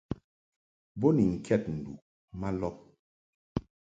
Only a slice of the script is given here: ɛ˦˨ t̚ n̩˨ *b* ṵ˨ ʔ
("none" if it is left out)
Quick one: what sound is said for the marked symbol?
d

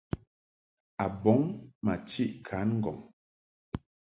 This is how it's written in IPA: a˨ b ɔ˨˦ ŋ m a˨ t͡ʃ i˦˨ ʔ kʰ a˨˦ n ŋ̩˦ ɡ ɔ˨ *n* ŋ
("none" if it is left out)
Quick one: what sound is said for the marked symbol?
none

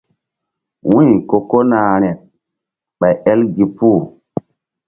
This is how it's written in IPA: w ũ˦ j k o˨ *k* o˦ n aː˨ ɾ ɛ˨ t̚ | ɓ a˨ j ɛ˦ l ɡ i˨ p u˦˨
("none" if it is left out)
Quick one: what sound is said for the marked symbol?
k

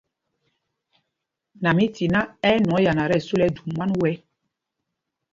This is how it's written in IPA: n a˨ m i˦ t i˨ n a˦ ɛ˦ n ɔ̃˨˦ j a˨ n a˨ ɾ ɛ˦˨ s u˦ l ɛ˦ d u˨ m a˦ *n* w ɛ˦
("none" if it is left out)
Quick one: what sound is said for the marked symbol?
n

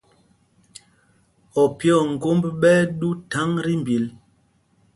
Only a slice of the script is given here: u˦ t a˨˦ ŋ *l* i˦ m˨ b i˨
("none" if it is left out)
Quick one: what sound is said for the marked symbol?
ɾ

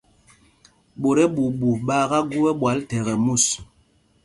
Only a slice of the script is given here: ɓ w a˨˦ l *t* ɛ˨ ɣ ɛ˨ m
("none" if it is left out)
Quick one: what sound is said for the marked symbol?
t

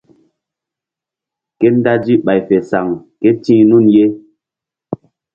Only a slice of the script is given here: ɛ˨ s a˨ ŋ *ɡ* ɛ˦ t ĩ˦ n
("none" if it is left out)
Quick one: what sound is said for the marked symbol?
k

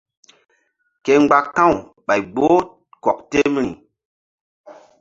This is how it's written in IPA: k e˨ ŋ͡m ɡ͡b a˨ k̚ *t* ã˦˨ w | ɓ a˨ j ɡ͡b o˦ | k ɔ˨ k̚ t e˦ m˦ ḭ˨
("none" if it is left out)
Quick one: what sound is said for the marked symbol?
t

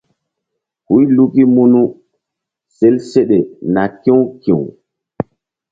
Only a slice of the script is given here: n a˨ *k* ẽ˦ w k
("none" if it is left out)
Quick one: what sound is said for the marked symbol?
k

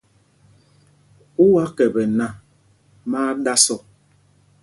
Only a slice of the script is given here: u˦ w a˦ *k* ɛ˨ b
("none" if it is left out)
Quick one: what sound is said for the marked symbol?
k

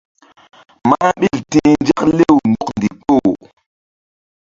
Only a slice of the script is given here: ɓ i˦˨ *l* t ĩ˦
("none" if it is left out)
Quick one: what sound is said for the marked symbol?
l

